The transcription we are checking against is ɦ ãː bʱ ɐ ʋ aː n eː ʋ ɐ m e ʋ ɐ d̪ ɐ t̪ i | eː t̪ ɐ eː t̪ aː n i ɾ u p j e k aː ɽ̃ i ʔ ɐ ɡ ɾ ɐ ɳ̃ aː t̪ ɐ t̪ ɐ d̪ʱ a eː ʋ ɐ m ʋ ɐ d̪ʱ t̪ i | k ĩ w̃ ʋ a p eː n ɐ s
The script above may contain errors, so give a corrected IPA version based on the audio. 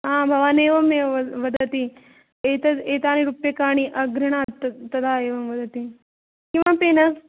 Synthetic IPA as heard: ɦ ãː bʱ ɐ ʋ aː n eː ʋ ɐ m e ʋ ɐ d̪ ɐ t̪ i | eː t̪ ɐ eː t̪ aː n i ɾ u p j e k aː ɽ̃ i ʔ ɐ ɡ ɾ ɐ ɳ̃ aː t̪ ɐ t̪ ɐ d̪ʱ a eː ʋ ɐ m ʋ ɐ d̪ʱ t̪ i | k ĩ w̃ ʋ a p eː n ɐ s